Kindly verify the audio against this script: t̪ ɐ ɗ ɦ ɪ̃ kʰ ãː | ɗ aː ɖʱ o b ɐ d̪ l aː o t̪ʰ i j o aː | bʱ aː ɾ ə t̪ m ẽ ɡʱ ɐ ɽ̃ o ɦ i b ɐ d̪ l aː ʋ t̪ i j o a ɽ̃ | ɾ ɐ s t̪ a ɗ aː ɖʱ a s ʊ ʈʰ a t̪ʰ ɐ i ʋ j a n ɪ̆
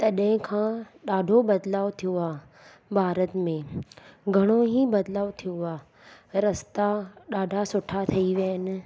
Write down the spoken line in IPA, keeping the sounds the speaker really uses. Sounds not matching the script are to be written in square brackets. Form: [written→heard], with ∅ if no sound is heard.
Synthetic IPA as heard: t̪ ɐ ɗ ɦ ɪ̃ kʰ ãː | ɗ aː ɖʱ o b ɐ d̪ l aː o t̪ʰ i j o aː | bʱ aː ɾ ə t̪ m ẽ ɡʱ ɐ ɽ̃ o ɦ i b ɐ d̪ l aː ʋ [t̪→t̪ʰ] i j o a [ɽ̃→∅] | ɾ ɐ s t̪ a ɗ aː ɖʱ a s ʊ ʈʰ a t̪ʰ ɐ i ʋ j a n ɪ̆

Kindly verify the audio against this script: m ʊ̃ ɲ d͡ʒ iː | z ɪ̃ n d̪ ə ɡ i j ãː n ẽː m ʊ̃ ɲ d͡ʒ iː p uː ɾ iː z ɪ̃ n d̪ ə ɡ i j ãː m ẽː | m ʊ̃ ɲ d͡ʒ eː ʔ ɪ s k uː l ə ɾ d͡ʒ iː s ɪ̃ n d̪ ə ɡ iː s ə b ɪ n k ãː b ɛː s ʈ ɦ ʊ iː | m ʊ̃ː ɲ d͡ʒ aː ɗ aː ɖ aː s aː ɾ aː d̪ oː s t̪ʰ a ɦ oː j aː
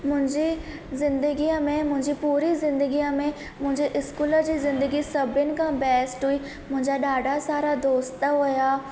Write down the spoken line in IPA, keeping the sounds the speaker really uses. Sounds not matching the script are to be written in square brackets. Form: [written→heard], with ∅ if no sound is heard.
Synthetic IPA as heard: m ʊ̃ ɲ d͡ʒ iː | z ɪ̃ n d̪ ə ɡ i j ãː [n→m] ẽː m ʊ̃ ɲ d͡ʒ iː p uː ɾ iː z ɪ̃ n d̪ ə ɡ i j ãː m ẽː | m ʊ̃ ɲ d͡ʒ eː ʔ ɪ s k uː l ə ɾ d͡ʒ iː [s→z] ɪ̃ n d̪ ə ɡ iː s ə b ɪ n k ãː b ɛː s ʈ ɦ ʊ iː | m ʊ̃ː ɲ d͡ʒ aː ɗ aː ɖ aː s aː ɾ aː d̪ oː s [t̪ʰ→t̪] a ɦ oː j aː

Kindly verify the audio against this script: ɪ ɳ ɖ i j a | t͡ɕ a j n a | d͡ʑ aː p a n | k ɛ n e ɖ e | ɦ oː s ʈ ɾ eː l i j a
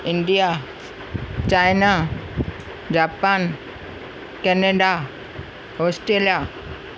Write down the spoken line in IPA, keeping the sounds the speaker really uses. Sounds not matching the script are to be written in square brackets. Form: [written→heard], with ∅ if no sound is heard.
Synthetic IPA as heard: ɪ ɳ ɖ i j a | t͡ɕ a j n a | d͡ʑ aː p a n | k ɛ n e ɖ [e→a] | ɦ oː s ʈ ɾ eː l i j a

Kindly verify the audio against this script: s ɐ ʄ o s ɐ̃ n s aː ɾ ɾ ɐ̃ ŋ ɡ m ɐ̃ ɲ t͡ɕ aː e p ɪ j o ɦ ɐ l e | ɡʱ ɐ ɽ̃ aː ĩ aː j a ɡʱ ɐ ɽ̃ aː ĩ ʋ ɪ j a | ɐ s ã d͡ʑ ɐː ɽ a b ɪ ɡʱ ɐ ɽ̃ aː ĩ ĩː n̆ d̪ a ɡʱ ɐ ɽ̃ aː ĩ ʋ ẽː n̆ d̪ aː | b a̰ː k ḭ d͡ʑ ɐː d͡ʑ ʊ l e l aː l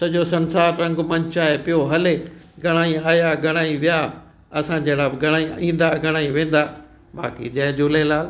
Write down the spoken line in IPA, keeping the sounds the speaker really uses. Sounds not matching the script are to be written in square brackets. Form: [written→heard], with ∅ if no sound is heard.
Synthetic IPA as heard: s ɐ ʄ o s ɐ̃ n s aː ɾ ɾ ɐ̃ ŋ ɡ m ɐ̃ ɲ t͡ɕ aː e p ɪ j o ɦ ɐ l e | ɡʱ ɐ ɽ̃ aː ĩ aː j a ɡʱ ɐ ɽ̃ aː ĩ ʋ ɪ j a | ɐ s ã d͡ʑ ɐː ɽ a b ɪ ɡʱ ɐ ɽ̃ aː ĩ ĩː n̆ d̪ a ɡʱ ɐ ɽ̃ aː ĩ ʋ ẽː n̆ d̪ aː | b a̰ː k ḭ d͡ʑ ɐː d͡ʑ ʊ l e l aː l

